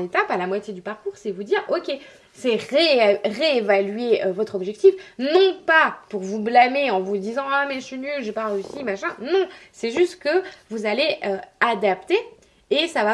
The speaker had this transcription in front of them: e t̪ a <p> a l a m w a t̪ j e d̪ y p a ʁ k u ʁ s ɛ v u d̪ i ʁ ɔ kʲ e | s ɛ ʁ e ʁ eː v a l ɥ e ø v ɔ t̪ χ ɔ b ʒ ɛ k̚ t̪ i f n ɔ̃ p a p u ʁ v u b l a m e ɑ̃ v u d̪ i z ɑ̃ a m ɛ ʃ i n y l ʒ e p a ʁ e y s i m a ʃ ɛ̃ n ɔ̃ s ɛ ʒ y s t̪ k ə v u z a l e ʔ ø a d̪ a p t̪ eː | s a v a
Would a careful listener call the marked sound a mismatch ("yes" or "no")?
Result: no